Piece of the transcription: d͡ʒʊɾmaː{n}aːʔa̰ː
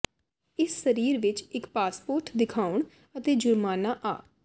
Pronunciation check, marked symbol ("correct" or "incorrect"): correct